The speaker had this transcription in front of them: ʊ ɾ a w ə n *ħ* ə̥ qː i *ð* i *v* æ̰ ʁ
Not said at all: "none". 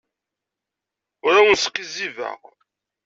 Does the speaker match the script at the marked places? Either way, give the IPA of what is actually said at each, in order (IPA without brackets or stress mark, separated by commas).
s, z, v